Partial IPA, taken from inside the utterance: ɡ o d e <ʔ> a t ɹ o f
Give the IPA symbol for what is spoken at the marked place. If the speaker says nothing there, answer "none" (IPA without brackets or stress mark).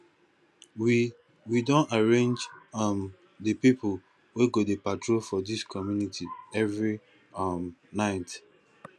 p